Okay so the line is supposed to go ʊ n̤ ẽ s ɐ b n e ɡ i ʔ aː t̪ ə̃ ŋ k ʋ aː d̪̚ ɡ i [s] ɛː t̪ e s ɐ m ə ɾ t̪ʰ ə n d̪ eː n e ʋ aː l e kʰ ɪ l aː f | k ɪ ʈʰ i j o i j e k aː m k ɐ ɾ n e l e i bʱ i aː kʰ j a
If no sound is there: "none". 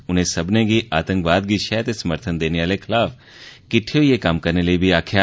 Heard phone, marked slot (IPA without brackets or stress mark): ʃ